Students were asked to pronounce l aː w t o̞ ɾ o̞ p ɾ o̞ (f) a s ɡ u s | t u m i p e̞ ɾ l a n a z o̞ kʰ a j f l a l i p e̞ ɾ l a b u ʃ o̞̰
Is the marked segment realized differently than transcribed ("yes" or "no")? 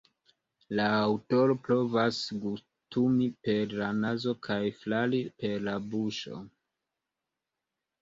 yes